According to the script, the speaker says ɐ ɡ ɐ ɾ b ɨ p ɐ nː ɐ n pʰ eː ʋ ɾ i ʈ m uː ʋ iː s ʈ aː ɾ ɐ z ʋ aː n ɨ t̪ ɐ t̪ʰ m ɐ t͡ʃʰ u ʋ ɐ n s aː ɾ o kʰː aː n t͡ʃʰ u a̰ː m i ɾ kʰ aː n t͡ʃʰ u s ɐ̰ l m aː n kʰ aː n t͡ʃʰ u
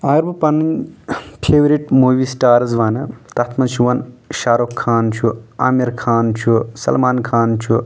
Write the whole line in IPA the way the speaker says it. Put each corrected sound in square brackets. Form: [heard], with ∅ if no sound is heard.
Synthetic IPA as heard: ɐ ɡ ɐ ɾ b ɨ p ɐ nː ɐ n pʰ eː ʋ ɾ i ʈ m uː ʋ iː s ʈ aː ɾ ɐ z ʋ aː n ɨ t̪ ɐ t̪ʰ m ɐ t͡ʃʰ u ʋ ɐ n [ʃ] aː ɾ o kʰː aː n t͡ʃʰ u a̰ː m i ɾ kʰ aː n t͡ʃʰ u s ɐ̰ l m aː n kʰ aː n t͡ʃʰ u